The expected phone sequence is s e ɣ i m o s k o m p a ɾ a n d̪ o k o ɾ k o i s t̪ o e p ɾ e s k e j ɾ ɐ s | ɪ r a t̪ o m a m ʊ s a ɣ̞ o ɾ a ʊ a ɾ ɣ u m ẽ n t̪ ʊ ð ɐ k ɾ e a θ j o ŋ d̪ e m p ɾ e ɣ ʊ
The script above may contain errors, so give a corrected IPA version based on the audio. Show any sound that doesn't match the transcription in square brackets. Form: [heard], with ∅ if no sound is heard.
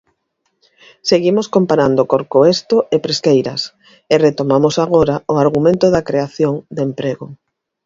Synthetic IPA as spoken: s e ɣ i m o s k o m p a ɾ a n d̪ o k o ɾ k o [e] s t̪ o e p ɾ e s k e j ɾ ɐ s | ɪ r [e] t̪ o m a m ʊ s a ɣ̞ o ɾ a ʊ a ɾ ɣ u m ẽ n t̪ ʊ ð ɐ k ɾ e a θ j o ŋ d̪ e m p ɾ e ɣ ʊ